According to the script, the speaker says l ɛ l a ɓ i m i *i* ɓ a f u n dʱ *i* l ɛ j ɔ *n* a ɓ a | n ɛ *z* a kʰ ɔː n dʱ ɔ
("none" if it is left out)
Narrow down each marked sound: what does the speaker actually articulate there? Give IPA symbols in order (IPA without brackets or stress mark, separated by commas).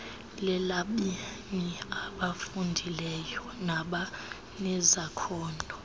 a, i, n, z